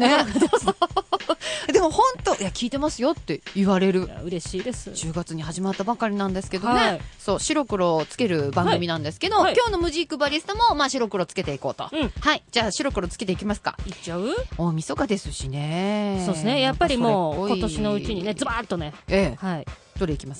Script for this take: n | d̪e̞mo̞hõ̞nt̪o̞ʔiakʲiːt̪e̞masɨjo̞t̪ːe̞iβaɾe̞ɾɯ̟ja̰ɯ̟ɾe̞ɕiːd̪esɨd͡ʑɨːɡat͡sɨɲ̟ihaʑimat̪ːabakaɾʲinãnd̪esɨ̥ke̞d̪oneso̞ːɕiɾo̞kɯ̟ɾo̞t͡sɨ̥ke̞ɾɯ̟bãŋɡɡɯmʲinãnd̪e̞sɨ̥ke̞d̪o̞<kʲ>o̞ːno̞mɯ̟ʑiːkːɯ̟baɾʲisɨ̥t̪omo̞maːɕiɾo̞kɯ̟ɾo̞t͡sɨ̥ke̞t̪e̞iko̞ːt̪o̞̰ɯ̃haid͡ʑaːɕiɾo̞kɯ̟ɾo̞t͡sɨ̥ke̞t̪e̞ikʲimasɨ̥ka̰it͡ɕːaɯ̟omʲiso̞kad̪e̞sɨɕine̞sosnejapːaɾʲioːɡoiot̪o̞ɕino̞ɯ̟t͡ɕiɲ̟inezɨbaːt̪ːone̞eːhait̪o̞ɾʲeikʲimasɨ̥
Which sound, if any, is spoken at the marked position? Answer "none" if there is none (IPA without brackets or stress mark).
kʲ